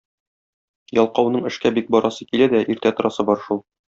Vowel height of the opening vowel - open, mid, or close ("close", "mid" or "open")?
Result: open